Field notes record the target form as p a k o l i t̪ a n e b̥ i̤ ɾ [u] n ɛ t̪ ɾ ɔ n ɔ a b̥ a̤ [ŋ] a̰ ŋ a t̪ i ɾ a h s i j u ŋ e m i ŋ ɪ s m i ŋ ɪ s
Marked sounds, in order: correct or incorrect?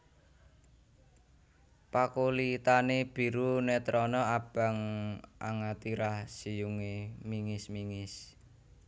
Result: correct, correct

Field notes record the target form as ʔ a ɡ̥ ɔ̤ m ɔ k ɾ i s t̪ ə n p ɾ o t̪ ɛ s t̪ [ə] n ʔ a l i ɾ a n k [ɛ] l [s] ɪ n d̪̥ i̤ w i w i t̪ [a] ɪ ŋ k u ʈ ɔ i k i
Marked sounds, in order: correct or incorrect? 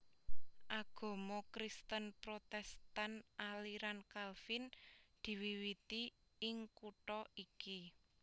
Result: incorrect, incorrect, incorrect, incorrect

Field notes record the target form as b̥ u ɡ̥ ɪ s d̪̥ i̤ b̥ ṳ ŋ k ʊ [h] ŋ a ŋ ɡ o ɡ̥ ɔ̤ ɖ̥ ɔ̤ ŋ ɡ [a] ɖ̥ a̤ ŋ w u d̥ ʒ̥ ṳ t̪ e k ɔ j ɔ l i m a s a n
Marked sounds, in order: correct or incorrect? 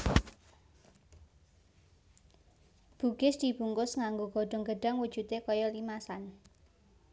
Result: incorrect, incorrect

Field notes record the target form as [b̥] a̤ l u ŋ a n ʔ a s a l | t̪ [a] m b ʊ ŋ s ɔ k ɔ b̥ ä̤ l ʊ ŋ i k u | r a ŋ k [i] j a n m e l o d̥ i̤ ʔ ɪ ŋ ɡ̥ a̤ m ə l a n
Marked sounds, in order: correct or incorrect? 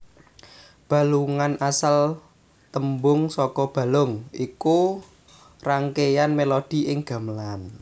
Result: correct, incorrect, incorrect

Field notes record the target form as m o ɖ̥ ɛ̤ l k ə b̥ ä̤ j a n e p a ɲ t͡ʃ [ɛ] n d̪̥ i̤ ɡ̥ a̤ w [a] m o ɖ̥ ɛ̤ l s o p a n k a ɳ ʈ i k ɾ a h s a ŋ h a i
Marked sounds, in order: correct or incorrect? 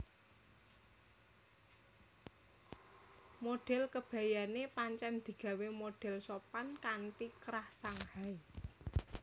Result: correct, incorrect

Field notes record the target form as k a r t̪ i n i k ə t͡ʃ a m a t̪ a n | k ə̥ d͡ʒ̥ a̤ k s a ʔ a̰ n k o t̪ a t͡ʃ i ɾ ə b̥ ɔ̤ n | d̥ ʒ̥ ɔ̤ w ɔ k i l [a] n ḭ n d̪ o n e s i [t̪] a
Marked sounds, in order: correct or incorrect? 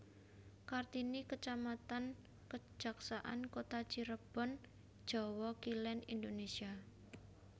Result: incorrect, incorrect

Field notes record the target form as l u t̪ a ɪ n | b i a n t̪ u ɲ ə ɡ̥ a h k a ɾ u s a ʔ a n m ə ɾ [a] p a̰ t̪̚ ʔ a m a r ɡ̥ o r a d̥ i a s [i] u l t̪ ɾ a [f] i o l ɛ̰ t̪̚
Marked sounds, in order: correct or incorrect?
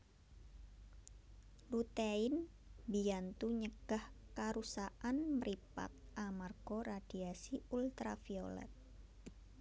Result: incorrect, correct, correct

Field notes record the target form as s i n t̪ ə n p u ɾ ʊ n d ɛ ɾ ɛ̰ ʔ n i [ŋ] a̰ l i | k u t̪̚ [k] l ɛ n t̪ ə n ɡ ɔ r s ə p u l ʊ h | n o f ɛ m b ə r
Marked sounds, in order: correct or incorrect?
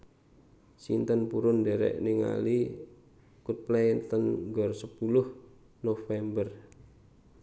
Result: correct, incorrect

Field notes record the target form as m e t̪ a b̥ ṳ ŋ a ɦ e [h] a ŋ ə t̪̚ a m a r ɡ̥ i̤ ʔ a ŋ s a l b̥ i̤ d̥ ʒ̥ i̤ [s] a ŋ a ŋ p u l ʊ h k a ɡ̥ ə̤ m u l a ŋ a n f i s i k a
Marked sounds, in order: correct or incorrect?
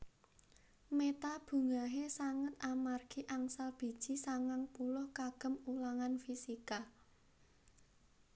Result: incorrect, correct

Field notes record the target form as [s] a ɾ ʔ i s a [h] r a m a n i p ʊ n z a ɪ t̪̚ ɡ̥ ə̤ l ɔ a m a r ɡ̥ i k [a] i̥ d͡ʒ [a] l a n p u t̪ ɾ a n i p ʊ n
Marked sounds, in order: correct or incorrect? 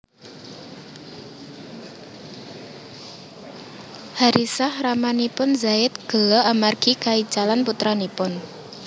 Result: incorrect, correct, correct, correct

